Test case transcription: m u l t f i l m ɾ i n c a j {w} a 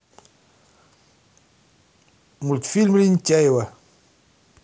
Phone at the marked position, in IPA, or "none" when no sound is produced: w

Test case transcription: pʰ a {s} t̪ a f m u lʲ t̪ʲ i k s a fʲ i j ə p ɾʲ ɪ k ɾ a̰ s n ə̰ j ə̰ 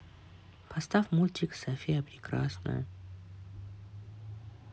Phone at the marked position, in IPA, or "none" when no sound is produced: s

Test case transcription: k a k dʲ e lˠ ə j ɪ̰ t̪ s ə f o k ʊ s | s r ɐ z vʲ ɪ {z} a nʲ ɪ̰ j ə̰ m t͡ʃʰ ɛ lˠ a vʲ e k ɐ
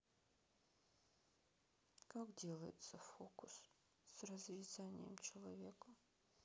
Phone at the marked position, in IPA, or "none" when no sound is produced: z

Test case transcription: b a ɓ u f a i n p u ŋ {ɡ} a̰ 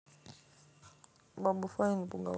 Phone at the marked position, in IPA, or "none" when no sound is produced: ɡ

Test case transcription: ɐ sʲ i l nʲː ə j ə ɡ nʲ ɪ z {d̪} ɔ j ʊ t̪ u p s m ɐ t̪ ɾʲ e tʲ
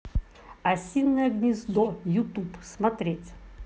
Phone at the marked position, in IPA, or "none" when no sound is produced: d̪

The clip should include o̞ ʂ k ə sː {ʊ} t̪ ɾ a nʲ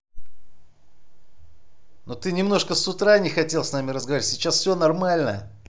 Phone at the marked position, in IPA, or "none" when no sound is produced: ʊ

